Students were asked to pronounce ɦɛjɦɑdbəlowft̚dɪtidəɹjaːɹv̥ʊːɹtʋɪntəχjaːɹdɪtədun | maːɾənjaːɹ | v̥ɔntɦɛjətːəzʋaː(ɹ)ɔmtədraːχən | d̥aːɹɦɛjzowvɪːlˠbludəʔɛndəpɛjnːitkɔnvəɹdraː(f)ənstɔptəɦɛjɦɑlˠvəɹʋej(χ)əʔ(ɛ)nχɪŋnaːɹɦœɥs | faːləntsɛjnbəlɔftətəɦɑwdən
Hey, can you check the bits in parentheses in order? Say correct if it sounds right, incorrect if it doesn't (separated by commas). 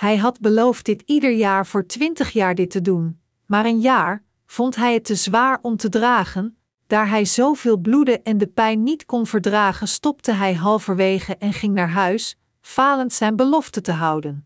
correct, incorrect, correct, correct